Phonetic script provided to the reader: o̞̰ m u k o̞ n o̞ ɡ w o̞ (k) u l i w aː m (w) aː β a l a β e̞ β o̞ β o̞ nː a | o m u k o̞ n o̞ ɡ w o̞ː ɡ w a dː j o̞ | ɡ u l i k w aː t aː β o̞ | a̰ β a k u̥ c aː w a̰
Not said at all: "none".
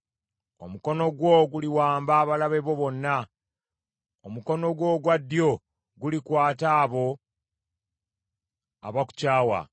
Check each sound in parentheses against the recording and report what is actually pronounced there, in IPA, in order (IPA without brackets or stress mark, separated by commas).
ɡ, b